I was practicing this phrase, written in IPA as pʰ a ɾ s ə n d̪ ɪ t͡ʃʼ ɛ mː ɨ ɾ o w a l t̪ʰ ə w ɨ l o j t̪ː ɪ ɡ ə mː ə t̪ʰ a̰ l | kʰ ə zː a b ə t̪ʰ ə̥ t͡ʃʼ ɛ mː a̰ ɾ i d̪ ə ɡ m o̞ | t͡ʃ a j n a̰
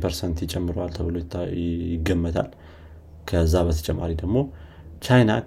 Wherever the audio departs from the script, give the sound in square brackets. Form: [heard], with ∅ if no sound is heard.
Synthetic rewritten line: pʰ [ə] ɾ s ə n [t̪] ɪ t͡ʃʼ ɛ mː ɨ ɾ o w a l t̪ʰ ə [β] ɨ l o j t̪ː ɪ ɡ ə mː ə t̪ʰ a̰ l | kʰ ə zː a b ə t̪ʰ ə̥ t͡ʃʼ ɛ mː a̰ ɾ i d̪ ə ɡ m o̞ | t͡ʃ a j n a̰